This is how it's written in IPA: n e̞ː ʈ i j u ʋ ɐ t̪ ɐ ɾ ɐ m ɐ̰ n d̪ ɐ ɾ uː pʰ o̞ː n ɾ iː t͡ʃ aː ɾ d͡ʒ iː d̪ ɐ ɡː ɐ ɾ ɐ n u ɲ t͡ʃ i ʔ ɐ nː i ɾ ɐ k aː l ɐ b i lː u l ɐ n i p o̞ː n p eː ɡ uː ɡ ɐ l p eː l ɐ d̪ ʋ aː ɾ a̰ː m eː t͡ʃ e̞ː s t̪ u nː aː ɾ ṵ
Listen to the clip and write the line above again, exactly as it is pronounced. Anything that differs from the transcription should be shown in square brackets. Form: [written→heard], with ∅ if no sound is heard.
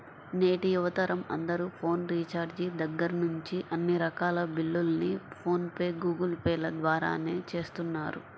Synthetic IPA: n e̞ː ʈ i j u ʋ ɐ t̪ ɐ ɾ ɐ m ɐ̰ n d̪ ɐ ɾ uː pʰ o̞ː n ɾ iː t͡ʃ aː ɾ d͡ʒ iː d̪ ɐ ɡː ɐ ɾ ɐ n u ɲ t͡ʃ i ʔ ɐ nː i ɾ ɐ k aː l ɐ b i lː u l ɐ n i [p→pʰ] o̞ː n p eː ɡ uː ɡ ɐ l p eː l ɐ d̪ ʋ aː ɾ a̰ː [m→n] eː t͡ʃ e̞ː s t̪ u nː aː ɾ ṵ